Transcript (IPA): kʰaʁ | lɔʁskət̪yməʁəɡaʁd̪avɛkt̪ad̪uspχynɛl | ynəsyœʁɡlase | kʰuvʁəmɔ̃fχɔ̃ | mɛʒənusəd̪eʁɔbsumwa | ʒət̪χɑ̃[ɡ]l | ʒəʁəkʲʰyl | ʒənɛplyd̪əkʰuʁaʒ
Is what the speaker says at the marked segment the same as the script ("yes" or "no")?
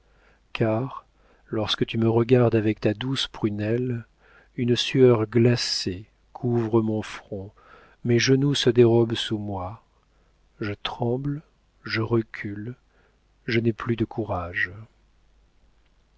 no